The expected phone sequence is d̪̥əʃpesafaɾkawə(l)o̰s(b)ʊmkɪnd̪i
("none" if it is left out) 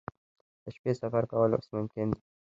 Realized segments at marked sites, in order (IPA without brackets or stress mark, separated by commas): l, m